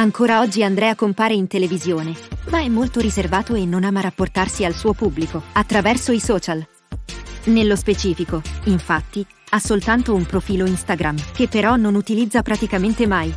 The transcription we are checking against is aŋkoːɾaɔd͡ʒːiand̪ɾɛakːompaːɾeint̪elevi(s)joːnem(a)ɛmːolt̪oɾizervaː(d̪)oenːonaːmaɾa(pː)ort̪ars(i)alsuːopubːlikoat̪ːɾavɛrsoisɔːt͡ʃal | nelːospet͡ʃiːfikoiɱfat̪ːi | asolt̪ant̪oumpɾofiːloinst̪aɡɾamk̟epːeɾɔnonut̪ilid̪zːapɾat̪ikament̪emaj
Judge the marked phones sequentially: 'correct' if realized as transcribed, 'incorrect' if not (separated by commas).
incorrect, correct, incorrect, correct, correct